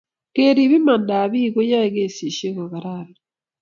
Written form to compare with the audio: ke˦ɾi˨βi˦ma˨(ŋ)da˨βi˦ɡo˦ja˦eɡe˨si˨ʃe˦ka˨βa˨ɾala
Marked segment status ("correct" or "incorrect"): incorrect